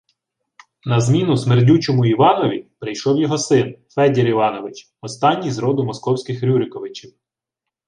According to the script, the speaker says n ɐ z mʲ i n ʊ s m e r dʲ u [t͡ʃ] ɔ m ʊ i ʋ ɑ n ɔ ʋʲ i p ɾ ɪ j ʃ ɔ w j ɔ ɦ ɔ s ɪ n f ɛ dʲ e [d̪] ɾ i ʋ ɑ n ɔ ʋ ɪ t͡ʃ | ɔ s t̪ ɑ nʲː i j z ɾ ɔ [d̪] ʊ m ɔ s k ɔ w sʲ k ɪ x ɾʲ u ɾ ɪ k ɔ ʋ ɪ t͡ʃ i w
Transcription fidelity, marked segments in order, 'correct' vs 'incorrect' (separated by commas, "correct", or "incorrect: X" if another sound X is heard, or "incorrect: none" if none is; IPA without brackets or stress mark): correct, incorrect: none, correct